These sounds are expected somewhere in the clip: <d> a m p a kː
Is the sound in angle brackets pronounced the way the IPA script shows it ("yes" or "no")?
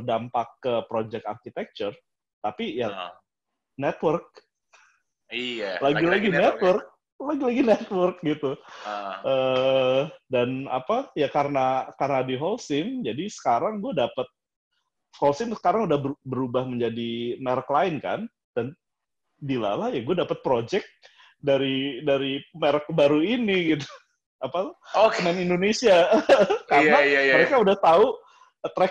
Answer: yes